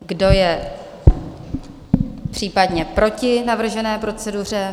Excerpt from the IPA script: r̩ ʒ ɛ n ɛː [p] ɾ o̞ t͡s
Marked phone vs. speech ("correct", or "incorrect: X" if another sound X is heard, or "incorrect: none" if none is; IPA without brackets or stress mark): correct